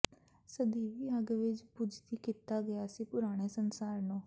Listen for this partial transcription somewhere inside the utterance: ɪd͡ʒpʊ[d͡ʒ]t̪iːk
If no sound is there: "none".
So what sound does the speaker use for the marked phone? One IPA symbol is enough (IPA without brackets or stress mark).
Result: d͡ʒ